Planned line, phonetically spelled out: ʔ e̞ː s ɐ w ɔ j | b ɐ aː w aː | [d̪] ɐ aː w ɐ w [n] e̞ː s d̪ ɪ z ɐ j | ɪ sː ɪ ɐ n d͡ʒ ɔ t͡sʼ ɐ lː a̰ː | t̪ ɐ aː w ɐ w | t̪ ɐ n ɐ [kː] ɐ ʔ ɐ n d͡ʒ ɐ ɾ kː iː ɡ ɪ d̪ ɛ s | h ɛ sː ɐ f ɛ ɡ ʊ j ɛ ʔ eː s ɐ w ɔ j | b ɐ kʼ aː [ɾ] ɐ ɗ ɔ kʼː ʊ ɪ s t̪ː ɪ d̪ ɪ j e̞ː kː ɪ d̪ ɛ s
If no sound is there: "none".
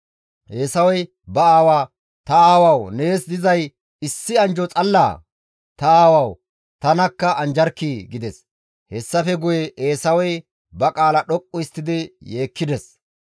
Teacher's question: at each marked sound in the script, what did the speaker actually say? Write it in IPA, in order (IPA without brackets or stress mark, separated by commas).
t̪, n, kː, l